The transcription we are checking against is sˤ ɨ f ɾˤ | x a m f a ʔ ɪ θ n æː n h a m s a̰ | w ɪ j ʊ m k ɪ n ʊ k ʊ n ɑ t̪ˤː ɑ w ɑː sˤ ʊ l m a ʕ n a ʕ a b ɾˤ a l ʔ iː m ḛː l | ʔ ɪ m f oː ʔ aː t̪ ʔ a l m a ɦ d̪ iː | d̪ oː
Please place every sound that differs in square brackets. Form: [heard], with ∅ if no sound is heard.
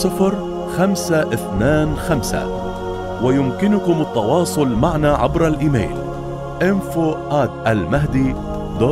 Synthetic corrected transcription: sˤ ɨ f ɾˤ | x a m [s] a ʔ ɪ θ n [aː] n [x] a m s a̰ | w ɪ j ʊ m k ɪ n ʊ k ʊ [m] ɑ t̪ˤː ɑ w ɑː sˤ ʊ l m a ʕ n a ʕ a b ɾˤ a l ʔ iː m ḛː l | ʔ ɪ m f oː ʔ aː t̪ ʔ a l m a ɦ d̪ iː | d̪ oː